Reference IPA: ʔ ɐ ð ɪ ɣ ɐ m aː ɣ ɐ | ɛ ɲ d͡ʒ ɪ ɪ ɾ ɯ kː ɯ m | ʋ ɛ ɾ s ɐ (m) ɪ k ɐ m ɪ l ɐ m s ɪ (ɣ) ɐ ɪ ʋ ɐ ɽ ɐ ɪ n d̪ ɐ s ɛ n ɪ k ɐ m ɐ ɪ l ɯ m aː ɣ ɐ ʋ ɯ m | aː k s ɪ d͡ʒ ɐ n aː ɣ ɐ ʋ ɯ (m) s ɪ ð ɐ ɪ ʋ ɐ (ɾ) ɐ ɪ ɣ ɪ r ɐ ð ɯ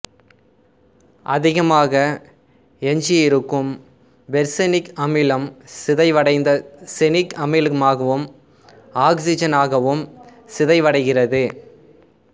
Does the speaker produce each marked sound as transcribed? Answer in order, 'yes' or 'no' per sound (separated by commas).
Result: no, no, yes, no